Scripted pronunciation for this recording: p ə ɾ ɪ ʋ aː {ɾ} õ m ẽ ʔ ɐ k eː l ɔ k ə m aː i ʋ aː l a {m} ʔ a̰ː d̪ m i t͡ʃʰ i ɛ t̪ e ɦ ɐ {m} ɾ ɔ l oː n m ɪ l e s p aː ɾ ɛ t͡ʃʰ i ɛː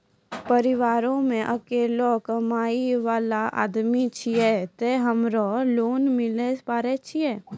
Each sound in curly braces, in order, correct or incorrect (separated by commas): correct, incorrect, correct